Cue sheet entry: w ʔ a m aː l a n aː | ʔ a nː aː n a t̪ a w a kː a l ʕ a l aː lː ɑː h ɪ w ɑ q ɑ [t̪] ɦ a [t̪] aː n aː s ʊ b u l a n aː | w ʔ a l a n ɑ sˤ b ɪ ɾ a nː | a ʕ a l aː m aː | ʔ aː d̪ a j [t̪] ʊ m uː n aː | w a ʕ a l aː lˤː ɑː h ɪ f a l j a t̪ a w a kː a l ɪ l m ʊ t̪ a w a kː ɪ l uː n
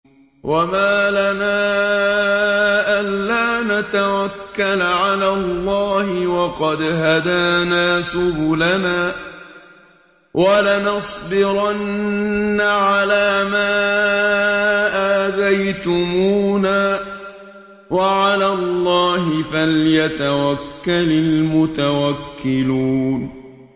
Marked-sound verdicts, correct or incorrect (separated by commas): incorrect, incorrect, correct